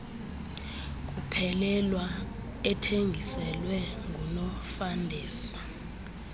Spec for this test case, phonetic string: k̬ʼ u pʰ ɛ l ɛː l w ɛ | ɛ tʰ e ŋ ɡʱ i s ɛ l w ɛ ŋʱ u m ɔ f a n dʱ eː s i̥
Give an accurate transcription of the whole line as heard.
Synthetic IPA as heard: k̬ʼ u pʰ ɛ l ɛ l w a | ɛ tʰ e ŋ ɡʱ i s ɛ l w ɛ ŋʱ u n ɔ f a n dʱ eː s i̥